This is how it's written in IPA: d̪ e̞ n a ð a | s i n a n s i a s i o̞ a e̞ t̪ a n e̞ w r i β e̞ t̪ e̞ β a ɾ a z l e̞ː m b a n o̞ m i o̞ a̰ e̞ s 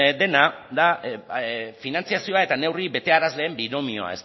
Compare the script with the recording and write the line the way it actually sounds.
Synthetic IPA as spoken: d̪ e̞ n a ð a | f i n a n t͡s i a s i o̞ a e̞ t̪ a n e̞ w r i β e̞ t̪ e̞ a ɾ a z l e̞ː m b i n o̞ m i o̞ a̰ e̞ s